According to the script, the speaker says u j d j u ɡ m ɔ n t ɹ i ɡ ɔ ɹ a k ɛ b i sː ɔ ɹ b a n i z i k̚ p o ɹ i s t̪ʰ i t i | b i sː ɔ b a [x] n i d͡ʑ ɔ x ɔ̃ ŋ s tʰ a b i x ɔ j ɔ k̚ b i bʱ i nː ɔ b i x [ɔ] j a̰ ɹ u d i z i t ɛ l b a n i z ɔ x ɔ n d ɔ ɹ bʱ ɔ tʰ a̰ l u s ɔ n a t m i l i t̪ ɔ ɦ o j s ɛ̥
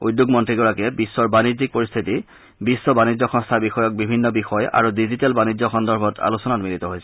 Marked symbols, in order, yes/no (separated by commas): no, yes